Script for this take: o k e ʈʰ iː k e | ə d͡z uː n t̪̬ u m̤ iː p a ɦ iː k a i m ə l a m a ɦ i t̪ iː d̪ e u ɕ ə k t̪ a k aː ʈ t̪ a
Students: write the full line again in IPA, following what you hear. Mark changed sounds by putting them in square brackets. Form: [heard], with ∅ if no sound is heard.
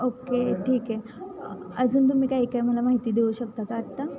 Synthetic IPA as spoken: o k e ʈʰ iː k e | ə d͡z uː n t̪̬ u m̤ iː [k] a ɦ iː k a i m ə l a m a ɦ i t̪ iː d̪ e u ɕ ə k t̪ a k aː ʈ t̪ a